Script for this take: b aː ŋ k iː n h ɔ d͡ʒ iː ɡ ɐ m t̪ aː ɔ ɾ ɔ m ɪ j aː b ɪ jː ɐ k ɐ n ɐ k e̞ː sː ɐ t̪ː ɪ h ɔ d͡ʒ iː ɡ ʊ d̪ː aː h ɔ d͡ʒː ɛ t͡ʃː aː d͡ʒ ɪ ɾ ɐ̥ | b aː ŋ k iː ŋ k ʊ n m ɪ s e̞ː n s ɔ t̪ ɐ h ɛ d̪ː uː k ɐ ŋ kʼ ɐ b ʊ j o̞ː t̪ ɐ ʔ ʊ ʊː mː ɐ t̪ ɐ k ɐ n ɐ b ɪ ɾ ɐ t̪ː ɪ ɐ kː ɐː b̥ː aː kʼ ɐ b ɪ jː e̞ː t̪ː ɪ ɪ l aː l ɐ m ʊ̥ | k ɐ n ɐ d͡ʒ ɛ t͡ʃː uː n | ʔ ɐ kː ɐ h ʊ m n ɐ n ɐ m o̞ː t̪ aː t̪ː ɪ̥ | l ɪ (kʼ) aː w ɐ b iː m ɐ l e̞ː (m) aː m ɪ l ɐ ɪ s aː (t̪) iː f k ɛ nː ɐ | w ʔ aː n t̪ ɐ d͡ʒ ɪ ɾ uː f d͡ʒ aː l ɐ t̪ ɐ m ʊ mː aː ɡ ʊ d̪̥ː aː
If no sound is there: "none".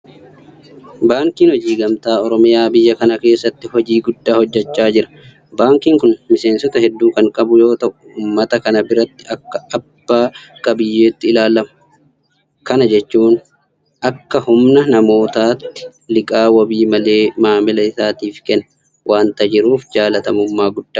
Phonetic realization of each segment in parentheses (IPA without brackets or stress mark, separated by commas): kʼ, m, t̪